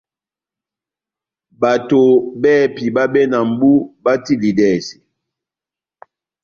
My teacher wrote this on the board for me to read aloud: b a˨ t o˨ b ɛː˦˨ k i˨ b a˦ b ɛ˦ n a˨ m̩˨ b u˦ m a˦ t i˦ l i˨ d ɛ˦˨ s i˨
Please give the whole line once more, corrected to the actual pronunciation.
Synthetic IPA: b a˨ t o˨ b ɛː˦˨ p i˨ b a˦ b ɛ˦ n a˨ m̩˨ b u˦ b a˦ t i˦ l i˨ d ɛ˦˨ s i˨